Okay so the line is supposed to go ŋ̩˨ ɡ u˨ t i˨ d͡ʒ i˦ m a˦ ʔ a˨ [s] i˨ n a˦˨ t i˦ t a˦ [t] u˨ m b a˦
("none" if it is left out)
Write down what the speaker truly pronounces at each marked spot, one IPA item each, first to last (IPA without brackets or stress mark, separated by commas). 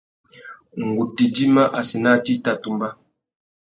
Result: s, t